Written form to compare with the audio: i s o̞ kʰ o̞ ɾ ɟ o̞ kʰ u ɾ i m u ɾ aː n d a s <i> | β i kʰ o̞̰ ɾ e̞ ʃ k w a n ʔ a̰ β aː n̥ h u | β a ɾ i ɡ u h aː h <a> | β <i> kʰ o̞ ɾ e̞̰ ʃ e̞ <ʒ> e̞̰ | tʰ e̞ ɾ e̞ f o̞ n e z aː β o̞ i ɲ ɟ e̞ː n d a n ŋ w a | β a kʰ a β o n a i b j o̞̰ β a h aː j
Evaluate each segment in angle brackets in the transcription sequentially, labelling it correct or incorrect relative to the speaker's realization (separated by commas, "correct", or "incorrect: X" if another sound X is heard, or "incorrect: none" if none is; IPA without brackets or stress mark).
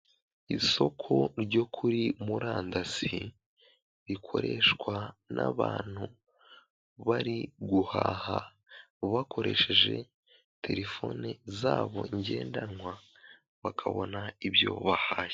correct, correct, incorrect: a, correct